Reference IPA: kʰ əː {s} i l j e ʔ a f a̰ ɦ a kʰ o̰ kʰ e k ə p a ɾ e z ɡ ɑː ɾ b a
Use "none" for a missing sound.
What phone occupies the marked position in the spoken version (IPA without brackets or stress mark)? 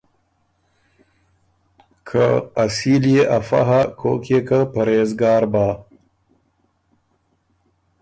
s